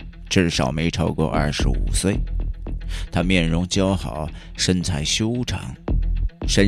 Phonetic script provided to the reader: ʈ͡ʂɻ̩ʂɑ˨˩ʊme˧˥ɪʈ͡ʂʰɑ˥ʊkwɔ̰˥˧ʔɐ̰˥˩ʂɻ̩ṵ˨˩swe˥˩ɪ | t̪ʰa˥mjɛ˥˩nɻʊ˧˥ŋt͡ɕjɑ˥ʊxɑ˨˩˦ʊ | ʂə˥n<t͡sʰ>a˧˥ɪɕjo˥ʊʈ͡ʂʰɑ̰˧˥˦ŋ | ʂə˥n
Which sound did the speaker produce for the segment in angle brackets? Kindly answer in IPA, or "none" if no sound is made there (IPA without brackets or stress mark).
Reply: t͡sʰ